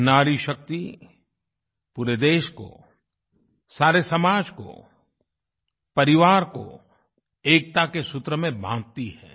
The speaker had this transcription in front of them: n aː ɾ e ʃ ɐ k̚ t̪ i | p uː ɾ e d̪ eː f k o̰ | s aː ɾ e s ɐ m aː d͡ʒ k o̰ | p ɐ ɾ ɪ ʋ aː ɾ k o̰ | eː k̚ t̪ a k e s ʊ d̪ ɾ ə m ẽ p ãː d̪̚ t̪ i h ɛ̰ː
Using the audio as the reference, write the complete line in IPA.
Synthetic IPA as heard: n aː ɾ i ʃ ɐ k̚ t̪ i | p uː ɾ e d̪ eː ʃ k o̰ | s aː ɾ e s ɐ m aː d͡ʒ k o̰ | p ɐ ɾ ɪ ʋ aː ɾ k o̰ | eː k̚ t̪ a k e s ʊ t̪ ɾ ə m ẽ b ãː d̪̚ t̪ i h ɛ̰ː